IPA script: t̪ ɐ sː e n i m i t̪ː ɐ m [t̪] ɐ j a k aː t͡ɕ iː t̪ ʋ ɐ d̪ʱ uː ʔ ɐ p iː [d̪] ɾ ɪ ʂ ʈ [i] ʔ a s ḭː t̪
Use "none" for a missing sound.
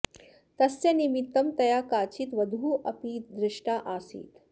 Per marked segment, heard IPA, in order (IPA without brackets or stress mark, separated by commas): t̪, d̪, a